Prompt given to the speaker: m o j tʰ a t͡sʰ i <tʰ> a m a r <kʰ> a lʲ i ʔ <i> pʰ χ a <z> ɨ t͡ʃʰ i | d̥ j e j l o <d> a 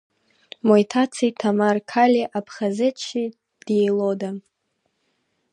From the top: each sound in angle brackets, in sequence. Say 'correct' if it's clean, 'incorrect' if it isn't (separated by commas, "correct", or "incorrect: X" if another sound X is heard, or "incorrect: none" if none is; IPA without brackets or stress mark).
correct, correct, incorrect: a, correct, correct